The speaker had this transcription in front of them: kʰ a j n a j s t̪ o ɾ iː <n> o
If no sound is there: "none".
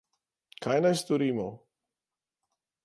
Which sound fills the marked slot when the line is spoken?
m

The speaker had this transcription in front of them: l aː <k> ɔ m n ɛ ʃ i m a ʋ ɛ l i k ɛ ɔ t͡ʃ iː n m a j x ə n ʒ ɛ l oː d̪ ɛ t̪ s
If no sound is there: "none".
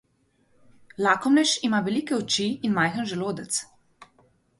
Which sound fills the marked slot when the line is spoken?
k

